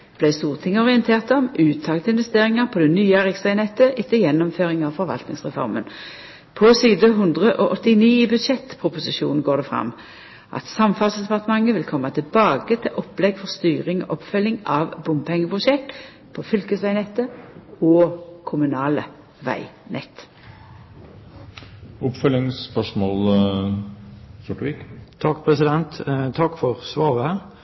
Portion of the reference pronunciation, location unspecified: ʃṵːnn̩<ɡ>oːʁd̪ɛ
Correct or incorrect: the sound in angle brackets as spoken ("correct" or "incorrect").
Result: correct